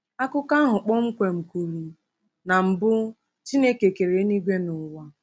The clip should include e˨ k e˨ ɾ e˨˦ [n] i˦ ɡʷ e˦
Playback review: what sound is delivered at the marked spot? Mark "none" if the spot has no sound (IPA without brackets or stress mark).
n